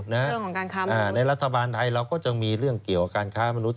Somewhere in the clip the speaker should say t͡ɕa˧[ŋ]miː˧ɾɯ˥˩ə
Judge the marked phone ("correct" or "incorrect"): correct